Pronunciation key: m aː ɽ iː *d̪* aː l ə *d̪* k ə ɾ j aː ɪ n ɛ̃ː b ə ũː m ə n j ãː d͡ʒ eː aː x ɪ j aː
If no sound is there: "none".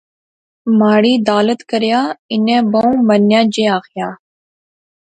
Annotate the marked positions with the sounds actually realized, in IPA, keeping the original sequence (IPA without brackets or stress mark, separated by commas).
d̪, t̪